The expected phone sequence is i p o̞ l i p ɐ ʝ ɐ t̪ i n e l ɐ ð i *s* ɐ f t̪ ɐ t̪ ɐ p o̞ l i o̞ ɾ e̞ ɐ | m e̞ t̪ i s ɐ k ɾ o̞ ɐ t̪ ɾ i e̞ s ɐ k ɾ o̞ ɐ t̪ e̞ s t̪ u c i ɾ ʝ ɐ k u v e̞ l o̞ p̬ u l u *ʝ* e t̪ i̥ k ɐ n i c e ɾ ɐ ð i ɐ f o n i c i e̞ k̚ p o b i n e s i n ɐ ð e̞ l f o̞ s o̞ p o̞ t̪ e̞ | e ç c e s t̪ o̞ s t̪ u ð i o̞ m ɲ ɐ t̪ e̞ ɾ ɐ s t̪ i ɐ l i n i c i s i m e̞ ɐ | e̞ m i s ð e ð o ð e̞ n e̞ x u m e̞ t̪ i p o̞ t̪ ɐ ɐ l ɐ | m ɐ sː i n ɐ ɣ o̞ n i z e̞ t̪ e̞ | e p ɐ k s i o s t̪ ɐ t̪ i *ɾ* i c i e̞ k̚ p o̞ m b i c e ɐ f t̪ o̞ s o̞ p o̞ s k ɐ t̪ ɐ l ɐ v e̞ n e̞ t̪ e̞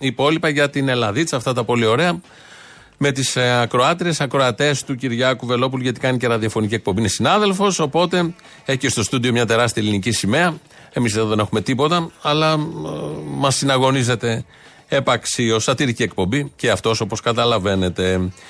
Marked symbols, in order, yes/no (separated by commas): no, yes, yes